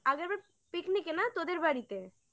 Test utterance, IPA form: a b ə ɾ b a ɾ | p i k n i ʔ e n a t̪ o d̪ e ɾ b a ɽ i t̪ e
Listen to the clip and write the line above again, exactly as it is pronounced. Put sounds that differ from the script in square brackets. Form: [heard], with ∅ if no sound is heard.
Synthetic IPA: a [ɡ] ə ɾ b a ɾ | p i k n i [k] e n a t̪ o d̪ e ɾ b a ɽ i t̪ e

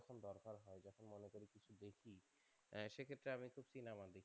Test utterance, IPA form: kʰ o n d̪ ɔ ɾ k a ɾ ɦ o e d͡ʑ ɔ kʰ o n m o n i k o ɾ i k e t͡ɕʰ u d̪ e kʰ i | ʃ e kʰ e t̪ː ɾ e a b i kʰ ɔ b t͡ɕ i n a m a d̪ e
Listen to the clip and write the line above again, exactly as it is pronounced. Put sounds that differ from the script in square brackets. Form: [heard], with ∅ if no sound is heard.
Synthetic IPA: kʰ o n d̪ ɔ ɾ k a ɾ ɦ [ɔ] e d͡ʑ ɔ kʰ o n m o n [e] k o ɾ i k [i] t͡ɕʰ u d̪ e kʰ i | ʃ e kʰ e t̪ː ɾ e a [m] i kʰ [u] b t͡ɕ i n a m a d̪ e

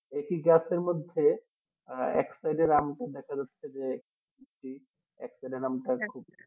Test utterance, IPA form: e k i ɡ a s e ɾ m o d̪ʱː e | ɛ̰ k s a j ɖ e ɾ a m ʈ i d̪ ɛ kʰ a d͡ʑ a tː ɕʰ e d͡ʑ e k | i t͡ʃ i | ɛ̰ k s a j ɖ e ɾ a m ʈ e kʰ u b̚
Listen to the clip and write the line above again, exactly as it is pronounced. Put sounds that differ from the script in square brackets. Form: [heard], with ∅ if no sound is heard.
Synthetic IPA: e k i ɡ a s e ɾ m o d̪ʱː e | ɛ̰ k s a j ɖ e ɾ a m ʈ [a] d̪ ɛ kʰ a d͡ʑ a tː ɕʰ e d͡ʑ e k | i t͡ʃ i | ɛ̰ k s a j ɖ e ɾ a m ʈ [a] kʰ u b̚

